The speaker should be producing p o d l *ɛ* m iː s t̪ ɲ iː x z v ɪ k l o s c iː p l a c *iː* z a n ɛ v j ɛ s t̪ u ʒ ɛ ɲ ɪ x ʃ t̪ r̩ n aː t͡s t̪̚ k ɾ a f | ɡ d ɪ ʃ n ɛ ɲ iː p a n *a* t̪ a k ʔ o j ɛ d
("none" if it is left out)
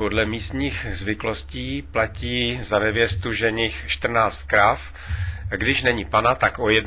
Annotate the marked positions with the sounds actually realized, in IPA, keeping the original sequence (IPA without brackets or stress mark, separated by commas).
ɛ, iː, a